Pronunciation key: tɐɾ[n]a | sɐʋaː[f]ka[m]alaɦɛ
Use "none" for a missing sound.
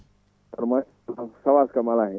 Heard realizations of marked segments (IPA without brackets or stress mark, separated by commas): m, s, m